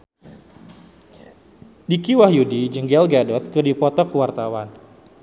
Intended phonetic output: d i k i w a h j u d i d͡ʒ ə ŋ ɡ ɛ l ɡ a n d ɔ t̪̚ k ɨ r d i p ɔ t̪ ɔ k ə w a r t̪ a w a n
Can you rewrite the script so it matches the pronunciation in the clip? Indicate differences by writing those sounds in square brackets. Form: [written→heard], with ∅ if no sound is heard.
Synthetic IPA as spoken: d i k i w a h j u d i d͡ʒ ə ŋ ɡ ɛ l ɡ a [n→∅] d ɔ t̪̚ k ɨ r d i p ɔ t̪ ɔ k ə w a r t̪ a w a n